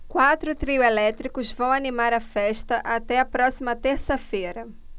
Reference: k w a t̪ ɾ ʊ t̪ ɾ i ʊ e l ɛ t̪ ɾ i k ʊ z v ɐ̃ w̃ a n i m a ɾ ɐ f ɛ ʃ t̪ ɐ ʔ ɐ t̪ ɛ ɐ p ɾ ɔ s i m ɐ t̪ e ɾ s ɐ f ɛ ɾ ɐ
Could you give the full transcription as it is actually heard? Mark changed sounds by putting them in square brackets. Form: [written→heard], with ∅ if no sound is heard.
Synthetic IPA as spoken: k w a t̪ ɾ ʊ t̪ ɾ i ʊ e l ɛ t̪ ɾ i k ʊ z v ɐ̃ w̃ a n i m a ɾ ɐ f ɛ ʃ t̪ ɐ ʔ [ɐ→a] t̪ ɛ ɐ p ɾ ɔ s i m ɐ t̪ e ɾ s ɐ f [ɛ→e] ɾ ɐ